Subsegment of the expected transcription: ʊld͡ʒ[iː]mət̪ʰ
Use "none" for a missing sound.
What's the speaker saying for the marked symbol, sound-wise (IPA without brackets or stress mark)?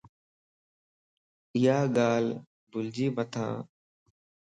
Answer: iː